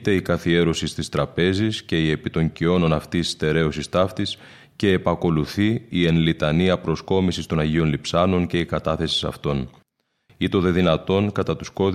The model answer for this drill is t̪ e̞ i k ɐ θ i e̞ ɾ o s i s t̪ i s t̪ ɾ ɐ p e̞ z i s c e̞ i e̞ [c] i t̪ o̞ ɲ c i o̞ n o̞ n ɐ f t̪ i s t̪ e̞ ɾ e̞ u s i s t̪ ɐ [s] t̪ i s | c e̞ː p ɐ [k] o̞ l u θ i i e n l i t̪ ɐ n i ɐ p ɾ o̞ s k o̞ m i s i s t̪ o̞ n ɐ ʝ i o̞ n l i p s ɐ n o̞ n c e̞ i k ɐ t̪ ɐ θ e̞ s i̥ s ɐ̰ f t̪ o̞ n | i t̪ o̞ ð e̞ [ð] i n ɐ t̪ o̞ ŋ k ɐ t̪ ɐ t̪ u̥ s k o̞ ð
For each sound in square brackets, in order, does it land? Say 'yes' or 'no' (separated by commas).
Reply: no, no, yes, yes